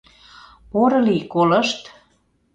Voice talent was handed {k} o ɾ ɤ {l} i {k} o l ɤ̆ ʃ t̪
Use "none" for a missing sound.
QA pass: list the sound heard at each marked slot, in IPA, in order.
p, l, k

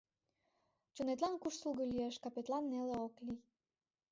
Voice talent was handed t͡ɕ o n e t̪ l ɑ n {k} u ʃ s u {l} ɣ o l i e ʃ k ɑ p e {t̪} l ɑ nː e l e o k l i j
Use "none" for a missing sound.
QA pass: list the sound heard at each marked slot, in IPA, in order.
k, l, t̪

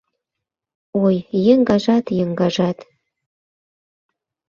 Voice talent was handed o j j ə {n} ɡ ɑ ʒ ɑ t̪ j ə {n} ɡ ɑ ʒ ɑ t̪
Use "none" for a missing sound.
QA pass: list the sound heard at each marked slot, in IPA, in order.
ŋ, ŋ

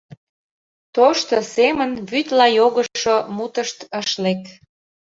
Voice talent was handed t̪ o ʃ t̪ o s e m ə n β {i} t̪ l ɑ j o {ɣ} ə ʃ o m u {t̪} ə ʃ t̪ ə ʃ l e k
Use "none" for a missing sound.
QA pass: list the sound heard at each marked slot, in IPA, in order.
y, ɣ, t̪

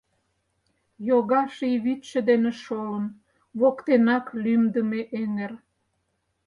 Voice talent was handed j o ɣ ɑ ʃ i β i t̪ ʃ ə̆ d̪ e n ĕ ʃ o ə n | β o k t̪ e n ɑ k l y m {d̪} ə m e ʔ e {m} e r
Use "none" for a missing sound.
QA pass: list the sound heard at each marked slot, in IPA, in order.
d̪, ŋ

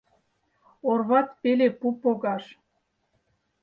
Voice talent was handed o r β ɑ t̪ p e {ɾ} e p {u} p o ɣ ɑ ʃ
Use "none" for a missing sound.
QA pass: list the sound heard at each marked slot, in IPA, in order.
l, u

